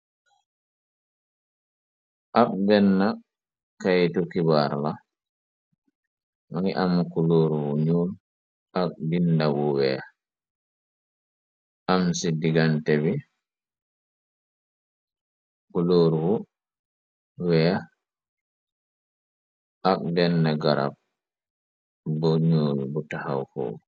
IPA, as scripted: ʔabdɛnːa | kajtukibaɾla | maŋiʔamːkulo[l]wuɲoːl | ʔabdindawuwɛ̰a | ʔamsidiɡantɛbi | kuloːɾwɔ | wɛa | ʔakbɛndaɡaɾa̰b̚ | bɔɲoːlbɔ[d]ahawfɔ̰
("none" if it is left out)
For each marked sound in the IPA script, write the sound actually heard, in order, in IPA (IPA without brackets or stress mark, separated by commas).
ɾ, t